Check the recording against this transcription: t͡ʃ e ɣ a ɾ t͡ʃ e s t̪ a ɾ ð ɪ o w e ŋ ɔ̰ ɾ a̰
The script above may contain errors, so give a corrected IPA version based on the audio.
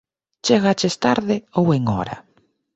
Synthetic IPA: t͡ʃ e ɣ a t͡ʃ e s t̪ a ɾ ð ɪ o w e ŋ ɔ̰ ɾ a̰